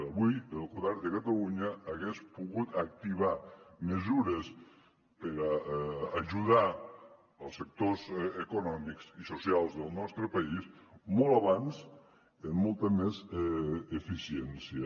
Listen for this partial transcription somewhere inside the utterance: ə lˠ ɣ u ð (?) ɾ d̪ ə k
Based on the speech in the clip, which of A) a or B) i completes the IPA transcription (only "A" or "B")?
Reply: A